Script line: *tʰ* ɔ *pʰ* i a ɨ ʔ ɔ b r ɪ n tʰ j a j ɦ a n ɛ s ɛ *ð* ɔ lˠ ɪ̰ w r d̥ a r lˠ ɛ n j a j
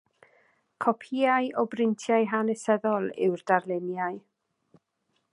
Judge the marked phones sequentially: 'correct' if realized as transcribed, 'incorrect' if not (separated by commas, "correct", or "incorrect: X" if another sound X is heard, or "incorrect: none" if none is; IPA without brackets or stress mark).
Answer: incorrect: kʰ, correct, correct